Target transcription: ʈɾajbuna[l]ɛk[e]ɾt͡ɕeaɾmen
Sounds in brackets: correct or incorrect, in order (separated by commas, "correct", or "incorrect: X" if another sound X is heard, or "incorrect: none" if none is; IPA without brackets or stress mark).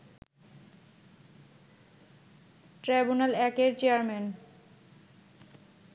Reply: correct, correct